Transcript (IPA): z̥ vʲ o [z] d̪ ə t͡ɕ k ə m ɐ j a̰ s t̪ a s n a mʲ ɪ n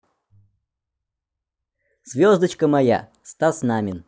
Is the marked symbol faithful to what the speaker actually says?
yes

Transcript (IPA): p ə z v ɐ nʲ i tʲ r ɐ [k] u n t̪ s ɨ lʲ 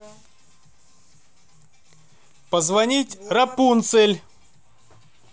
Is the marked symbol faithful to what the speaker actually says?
no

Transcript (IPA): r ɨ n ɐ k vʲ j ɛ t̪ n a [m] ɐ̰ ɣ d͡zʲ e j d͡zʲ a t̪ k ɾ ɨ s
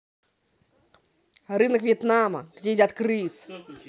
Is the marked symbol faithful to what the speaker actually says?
yes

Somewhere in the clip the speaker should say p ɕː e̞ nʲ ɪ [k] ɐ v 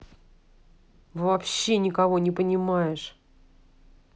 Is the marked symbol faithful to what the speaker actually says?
yes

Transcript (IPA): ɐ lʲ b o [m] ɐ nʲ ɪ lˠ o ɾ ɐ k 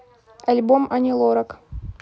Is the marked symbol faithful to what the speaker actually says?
yes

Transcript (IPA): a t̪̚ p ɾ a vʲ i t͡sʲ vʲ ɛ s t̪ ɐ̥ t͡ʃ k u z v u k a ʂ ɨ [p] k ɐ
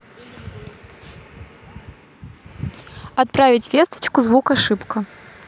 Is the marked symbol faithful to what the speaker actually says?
yes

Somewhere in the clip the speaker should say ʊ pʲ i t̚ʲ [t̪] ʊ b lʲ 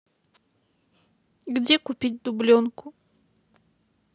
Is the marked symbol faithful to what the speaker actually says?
no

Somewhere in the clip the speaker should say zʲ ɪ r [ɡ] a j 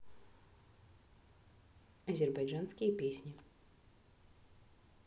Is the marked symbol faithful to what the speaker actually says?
no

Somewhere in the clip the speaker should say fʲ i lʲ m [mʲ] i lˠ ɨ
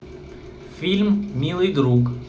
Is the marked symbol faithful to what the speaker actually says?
yes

